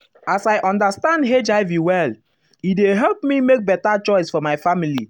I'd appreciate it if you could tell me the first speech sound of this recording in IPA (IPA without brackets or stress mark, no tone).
a